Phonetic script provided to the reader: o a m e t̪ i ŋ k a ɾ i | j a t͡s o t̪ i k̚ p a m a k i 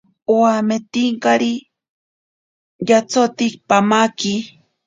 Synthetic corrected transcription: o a m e t̪ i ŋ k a ɾ i | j a t͡s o t̪ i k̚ p a m a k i